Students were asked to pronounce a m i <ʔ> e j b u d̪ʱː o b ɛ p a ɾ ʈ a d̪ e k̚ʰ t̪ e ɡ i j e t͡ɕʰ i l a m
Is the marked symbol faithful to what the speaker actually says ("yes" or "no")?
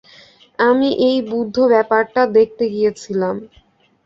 yes